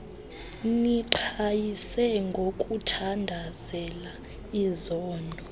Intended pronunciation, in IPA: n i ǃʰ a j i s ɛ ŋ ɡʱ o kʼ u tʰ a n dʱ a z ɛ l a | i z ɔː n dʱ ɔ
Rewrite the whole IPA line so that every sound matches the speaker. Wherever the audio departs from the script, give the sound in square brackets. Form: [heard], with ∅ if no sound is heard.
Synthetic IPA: n i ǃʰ a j i s ɛ ŋ ɡʱ o kʼ u tʰ a n dʱ a z ɛ l a | i z ɔː n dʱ ɔ